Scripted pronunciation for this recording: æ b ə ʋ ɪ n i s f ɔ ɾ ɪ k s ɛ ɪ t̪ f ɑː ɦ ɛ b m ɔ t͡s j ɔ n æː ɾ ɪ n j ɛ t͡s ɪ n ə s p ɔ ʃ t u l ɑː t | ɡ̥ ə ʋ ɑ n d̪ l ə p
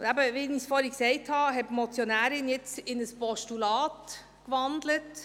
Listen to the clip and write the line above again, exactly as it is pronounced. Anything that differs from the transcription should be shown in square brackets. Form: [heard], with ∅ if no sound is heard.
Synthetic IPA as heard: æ b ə ʋ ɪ n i s f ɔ ɾ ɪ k s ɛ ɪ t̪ [h] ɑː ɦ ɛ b m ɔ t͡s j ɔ n æː ɾ ɪ n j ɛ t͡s ɪ n ə s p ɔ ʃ t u l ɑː t | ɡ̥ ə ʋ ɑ n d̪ l ə [t]

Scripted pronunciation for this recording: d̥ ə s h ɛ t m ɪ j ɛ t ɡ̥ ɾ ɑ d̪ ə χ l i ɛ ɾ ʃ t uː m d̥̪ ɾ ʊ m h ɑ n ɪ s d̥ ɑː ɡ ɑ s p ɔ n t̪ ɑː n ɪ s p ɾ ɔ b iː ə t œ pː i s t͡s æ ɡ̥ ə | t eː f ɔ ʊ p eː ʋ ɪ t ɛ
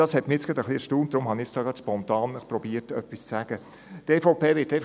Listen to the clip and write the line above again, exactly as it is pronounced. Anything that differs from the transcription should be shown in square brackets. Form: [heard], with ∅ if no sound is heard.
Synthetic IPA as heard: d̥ [ɑ] s h ɛ t m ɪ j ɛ [t͡s] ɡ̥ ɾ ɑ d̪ ə χ l i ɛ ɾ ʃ t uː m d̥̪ ɾ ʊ m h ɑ n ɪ s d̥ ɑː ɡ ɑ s p ɔ n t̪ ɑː n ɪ [χ] p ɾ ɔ b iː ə t œ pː i s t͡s æ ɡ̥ ə | t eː f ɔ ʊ p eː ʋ ɪ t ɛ

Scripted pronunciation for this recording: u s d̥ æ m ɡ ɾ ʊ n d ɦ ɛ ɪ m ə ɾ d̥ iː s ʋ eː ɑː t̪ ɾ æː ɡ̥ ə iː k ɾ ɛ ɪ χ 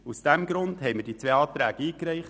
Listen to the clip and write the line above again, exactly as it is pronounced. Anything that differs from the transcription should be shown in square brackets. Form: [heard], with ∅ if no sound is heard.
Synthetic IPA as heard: u s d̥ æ m ɡ ɾ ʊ n d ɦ ɛ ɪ m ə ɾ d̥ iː [t͡s] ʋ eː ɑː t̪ ɾ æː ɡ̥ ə iː k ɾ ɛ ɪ χ

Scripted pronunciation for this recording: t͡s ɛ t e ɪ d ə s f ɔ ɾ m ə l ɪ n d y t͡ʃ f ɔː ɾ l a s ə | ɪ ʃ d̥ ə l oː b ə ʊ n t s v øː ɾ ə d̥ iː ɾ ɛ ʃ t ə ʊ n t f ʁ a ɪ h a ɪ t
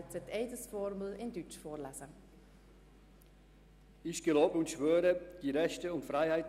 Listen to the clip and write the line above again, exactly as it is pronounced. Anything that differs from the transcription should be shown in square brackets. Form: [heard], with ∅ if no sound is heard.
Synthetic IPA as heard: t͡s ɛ t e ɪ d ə s f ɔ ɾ m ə l ɪ n d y t͡ʃ f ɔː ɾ l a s ə | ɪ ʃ [ɡ̥] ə l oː b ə ʊ n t [ʃ] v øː ɾ ə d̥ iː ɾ ɛ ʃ t ə ʊ n t f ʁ a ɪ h a ɪ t

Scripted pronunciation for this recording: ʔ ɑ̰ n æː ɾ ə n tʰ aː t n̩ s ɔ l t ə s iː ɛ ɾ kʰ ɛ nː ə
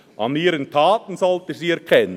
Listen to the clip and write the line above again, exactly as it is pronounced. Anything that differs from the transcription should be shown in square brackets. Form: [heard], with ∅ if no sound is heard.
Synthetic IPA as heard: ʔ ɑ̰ n [iː] ɾ ə n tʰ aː t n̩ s ɔ l t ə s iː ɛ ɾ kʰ ɛ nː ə

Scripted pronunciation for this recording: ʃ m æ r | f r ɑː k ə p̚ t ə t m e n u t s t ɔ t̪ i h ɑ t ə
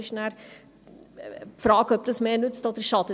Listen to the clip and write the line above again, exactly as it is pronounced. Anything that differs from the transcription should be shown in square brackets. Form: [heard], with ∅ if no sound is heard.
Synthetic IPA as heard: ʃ [n] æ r | f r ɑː k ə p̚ t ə [s] m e n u t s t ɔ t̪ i [ʃ] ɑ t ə

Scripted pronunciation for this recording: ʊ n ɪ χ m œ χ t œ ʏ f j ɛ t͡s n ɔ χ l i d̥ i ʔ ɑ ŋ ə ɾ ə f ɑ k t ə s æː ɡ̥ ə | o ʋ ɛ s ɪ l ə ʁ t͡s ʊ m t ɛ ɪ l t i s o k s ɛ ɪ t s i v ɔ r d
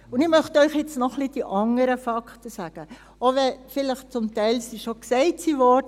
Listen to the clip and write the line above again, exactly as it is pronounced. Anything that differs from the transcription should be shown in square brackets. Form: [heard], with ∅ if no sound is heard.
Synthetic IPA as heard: ʊ n ɪ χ m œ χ t œ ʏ [χ] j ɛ t͡s n ɔ χ l i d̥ i ʔ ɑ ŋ ə ɾ ə f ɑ k t ə s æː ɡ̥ ə | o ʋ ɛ [f] ɪ l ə [χ] t͡s ʊ m t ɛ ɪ l [s] i [ʃ] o k s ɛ ɪ t s i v ɔ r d

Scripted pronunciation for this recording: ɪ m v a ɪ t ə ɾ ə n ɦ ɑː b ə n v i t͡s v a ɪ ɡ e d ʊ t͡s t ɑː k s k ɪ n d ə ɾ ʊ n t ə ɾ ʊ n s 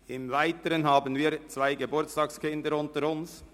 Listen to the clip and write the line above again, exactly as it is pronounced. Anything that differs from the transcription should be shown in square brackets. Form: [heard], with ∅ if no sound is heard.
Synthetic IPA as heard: ɪ m v a ɪ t ə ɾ ə n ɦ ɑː b ə n v [iː] t͡s v a ɪ ɡ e [b] ʊ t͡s t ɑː k s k ɪ n d ə ɾ ʊ n t ə ɾ ʊ n s

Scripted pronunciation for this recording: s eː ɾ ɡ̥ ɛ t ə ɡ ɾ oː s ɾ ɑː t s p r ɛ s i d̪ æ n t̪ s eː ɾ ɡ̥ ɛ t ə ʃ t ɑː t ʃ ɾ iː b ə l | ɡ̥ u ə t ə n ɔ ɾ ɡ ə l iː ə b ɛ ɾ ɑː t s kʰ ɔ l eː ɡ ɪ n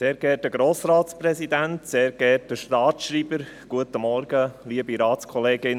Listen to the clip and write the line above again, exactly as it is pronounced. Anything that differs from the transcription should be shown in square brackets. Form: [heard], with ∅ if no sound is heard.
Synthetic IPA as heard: s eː ɾ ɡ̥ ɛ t ə ɡ ɾ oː s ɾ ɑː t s p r ɛ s i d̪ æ n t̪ s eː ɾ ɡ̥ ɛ t ə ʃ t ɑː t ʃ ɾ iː b ə [ɾ] | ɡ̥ u ə t ə [m] ɔ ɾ ɡ ə l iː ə b [i] ɾ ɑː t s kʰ ɔ l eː ɡ ɪ n

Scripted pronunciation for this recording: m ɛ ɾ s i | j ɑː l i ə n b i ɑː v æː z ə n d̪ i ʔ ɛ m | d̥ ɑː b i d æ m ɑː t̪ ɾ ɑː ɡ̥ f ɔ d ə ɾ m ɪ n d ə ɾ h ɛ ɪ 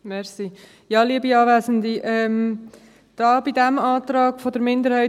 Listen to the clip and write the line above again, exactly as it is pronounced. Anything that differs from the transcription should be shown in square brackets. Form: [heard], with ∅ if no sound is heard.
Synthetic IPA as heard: m ɛ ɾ s i | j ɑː l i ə [∅] b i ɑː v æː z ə n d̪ i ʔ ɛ m | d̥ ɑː b i d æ m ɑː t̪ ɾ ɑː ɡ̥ f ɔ d ə ɾ m ɪ n d ə ɾ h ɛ ɪ

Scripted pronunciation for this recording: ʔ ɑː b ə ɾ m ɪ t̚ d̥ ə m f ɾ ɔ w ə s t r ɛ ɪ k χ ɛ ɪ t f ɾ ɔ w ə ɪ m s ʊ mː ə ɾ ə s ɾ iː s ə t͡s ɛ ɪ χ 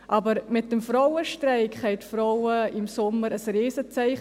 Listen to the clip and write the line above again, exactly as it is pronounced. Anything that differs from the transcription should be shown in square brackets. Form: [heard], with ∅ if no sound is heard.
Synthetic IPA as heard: ʔ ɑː b ə ɾ m ɪ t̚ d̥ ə m f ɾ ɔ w ə [ʃ] t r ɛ ɪ k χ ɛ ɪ t f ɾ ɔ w ə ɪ m s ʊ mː ə ɾ ə s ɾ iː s ə t͡s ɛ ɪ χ

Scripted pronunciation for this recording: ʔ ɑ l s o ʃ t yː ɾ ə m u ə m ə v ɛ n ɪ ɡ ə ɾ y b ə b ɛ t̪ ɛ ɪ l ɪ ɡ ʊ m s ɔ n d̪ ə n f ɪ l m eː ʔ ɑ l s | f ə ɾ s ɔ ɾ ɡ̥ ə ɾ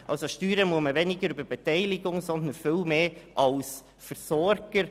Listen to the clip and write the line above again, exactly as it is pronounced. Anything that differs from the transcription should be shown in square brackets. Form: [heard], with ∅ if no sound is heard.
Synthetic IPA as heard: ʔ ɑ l s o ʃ t yː ɾ ə m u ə m ə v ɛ n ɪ ɡ ə ɾ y b ə b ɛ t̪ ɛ ɪ l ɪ ɡ ʊ [ŋ] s ɔ n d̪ ə n f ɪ l m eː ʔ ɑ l s | f ə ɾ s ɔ ɾ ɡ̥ ə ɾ

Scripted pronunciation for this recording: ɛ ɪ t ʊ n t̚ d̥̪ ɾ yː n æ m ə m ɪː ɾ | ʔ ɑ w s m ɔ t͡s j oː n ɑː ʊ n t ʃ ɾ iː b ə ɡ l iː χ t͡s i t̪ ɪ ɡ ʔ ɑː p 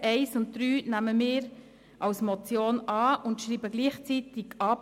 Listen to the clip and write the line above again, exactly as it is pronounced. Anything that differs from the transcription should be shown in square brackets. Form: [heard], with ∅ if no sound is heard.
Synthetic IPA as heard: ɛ ɪ [s] ʊ n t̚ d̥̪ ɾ yː n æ m ə m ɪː ɾ | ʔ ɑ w s m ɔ t͡s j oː n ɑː ʊ n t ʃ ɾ iː b ə ɡ l iː χ t͡s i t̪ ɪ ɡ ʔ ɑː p

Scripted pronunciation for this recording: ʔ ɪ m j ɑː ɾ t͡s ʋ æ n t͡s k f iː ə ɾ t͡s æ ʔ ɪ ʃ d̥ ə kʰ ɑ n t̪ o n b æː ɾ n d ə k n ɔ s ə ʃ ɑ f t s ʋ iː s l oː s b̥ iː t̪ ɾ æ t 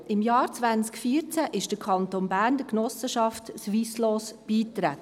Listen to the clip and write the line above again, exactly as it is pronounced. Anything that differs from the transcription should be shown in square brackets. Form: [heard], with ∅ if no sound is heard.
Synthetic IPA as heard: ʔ ɪ m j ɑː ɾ t͡s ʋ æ n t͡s k f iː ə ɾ t͡s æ ʔ ɪ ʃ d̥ ə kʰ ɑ n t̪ o n b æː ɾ n d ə k n ɔ s ə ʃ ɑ f t s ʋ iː s l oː s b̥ iː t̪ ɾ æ t

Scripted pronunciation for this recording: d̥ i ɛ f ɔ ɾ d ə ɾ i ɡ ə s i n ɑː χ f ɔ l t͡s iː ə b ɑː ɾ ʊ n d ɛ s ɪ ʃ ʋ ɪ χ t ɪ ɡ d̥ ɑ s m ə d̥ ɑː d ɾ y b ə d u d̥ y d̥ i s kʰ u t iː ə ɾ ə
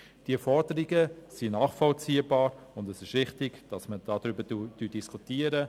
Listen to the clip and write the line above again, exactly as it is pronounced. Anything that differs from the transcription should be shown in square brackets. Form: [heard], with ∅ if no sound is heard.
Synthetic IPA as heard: d̥ i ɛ f ɔ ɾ d ə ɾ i ɡ ə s i n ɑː χ f ɔ l t͡s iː ə b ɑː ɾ ʊ n d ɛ s ɪ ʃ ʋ ɪ χ t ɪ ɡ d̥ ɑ s m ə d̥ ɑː d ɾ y b ə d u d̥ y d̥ i s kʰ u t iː ə ɾ ə

